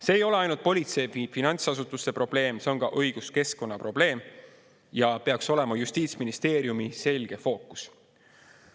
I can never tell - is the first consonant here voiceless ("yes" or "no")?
yes